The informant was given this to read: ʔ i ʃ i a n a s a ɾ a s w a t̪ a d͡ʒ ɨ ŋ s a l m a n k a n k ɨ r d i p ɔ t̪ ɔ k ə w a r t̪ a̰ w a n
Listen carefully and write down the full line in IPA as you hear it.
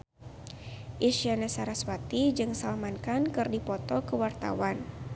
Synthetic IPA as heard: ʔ i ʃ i a n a s a ɾ a s w a t̪ i d͡ʒ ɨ ŋ s a l m a n k a n k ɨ r d i p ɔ t̪ ɔ k ə w a r t̪ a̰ w a n